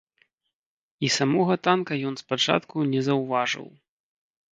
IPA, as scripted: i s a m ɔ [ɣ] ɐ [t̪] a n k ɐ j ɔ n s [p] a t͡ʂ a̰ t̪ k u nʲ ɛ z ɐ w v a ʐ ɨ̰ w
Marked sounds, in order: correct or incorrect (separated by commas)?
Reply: correct, correct, correct